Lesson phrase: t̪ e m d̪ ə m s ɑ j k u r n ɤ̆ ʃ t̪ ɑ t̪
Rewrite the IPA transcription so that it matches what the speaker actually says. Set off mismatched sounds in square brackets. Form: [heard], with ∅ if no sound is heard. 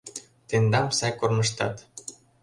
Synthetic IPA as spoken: t̪ e [n] d̪ [ɑ] m s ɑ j k [o] r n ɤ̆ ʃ t̪ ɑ t̪